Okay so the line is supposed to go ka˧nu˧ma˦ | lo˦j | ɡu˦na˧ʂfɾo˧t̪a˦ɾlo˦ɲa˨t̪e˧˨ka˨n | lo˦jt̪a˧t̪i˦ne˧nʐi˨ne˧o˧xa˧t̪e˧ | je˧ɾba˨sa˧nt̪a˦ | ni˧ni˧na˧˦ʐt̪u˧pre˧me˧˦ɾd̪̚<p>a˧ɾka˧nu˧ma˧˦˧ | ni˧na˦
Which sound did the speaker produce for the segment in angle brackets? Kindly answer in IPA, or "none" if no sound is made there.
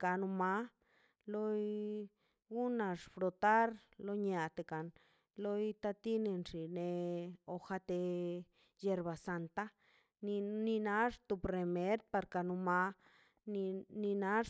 p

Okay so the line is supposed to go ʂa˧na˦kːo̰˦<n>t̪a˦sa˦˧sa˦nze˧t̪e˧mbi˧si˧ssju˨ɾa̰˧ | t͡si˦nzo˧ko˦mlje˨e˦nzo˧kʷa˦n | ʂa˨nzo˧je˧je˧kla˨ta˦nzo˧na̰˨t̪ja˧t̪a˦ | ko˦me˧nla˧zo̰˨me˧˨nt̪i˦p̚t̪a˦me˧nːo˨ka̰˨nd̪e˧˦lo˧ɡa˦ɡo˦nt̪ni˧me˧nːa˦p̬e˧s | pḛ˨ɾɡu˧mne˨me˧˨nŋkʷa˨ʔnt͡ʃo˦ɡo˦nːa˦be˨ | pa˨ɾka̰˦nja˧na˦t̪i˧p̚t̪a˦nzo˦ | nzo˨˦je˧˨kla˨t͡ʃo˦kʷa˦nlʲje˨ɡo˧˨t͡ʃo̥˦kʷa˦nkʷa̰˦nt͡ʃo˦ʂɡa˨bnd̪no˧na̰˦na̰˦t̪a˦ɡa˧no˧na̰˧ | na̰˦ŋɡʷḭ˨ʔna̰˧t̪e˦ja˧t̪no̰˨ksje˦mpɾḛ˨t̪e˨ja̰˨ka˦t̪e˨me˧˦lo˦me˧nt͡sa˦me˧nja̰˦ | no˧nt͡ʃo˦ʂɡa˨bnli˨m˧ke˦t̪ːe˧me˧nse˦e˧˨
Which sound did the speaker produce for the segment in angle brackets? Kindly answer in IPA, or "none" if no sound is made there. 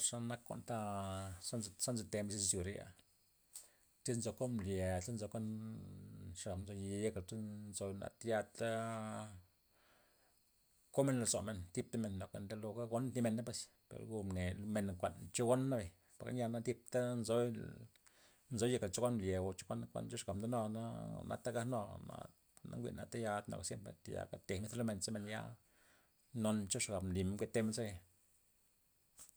n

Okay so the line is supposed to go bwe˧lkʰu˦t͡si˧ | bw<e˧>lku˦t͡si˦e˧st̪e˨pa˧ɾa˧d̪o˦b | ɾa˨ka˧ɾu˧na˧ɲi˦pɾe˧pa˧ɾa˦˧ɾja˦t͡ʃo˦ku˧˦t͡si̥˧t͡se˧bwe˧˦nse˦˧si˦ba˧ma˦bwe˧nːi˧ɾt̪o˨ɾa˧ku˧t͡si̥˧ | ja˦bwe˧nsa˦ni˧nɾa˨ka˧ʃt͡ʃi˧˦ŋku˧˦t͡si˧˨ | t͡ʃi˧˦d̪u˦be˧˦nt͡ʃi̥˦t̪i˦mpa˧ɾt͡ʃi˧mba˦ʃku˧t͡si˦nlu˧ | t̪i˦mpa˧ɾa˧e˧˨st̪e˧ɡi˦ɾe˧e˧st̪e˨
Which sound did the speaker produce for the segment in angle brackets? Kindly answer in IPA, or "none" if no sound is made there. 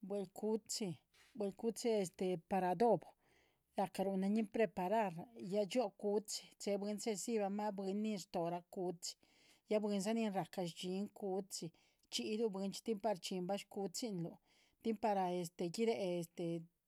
e˧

